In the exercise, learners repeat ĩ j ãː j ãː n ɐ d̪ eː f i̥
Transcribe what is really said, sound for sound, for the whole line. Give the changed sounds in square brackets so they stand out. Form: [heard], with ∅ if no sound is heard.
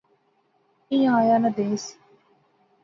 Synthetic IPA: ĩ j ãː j [aː] n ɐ d̪ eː [s] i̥